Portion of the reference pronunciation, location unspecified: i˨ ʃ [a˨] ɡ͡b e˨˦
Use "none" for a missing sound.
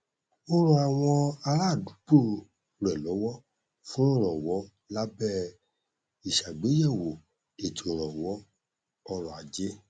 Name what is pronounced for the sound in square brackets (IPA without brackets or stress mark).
a˨